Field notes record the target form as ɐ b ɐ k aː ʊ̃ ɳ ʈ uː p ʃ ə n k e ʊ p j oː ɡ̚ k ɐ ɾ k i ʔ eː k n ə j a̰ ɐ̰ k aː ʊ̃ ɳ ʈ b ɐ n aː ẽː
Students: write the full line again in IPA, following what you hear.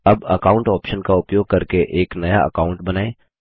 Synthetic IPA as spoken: ɐ b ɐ k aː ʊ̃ ɳ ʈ ɔː p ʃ ə n k a ʊ p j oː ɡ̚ k ɐ ɾ k e ʔ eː k n ɐ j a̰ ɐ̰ k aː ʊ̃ ɳ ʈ b ɐ n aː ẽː

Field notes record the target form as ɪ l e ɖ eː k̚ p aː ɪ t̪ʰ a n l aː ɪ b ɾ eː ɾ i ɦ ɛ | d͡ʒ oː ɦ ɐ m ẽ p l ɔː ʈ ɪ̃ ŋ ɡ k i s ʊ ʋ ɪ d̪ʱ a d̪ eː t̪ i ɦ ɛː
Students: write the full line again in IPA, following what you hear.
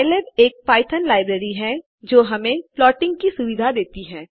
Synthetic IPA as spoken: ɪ l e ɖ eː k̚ p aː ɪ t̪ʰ ə n l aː ɪ b ɾ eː ɾ i ɦ ɛ | d͡ʒ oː ɦ ɐ m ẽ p l ɔː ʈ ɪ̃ ŋ ɡ k i s ʊ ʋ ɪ d̪ʱ a d̪ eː t̪ i ɦ ɛː

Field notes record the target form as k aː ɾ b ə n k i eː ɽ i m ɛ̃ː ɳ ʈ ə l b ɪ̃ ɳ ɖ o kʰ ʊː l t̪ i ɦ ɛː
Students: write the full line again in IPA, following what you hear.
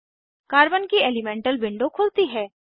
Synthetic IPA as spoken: k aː ɾ b ə n k i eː l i m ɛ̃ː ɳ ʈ ə l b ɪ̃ ɳ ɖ o kʰ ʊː l t̪ i ɦ ɛː

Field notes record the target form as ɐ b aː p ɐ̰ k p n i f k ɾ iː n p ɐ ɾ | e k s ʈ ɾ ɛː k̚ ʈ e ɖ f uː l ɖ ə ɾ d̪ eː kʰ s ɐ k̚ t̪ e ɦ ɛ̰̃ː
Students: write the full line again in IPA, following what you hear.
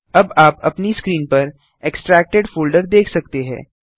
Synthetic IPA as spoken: ɐ b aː p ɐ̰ p n i s k ɾ iː n p ɐ ɾ | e k s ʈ ɾ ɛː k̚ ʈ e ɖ f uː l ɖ ə ɾ d̪ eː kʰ s ɐ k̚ t̪ e ɦ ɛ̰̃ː

